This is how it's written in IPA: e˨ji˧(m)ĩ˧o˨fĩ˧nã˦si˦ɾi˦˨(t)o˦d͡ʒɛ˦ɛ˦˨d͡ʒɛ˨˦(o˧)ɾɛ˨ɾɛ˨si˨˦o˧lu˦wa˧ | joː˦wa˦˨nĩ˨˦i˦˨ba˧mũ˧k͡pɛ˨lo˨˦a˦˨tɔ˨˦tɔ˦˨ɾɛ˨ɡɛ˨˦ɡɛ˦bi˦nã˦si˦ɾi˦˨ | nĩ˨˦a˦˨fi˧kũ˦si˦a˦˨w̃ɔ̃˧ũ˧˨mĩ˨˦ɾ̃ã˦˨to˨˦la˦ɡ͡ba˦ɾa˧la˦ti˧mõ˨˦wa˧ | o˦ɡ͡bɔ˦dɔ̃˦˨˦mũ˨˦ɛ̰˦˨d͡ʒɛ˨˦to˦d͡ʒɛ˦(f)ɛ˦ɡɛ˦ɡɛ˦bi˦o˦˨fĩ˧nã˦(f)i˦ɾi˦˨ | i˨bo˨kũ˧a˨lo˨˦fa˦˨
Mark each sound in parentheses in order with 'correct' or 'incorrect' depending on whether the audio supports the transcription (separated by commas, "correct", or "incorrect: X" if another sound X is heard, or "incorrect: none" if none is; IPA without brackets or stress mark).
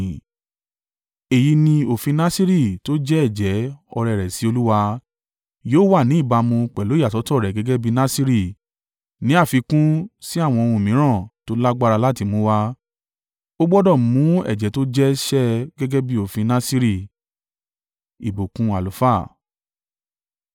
incorrect: n, correct, incorrect: ɔ˧, incorrect: ʃ, incorrect: s